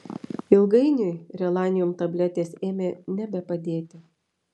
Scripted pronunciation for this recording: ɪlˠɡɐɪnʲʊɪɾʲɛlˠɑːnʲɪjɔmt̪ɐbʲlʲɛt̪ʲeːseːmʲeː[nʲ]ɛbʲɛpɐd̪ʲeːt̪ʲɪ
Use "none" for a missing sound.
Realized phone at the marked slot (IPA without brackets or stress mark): nʲ